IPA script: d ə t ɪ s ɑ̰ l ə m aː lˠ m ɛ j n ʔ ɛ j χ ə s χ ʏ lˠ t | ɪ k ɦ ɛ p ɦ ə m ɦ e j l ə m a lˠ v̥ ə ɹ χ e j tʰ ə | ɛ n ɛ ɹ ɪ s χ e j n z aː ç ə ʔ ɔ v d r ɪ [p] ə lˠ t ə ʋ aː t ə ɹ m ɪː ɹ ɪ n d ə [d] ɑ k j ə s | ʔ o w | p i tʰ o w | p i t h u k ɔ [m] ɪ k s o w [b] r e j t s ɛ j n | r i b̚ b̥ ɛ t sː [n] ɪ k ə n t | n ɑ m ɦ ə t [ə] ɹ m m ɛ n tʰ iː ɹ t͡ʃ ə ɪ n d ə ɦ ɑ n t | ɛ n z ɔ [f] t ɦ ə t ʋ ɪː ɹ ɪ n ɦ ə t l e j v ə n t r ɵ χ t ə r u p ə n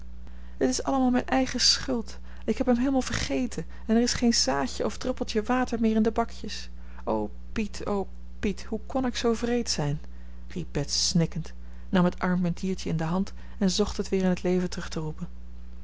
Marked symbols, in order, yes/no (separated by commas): yes, no, no, no, yes, no, no